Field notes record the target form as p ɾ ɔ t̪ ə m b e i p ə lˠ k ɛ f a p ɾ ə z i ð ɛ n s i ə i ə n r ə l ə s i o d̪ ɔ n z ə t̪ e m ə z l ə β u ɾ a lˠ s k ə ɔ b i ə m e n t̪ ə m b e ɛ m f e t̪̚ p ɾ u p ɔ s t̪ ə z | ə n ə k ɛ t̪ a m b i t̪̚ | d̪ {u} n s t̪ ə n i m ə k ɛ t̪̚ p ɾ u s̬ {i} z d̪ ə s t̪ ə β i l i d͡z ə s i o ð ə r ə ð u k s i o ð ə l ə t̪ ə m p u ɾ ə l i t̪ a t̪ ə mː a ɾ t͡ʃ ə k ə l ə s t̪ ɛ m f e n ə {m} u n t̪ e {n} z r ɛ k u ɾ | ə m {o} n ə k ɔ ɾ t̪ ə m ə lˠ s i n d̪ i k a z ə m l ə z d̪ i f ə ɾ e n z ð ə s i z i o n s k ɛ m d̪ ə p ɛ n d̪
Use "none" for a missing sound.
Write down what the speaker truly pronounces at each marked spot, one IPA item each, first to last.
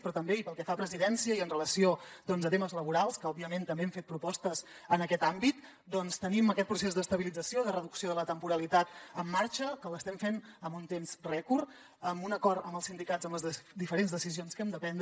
ɔ, e, m, m, u

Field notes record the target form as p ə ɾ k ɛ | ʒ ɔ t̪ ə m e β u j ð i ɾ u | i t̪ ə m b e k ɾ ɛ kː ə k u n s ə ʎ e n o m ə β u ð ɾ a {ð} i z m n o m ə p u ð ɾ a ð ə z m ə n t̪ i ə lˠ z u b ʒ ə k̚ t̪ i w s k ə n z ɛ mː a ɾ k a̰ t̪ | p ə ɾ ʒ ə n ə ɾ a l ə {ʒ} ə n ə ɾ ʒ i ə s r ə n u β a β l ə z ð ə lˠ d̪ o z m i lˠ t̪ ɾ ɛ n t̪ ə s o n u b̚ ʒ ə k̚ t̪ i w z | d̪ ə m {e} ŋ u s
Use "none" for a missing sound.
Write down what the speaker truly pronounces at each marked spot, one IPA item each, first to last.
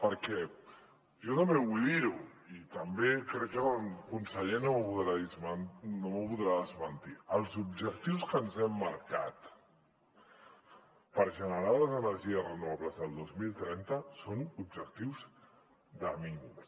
ð, z, i

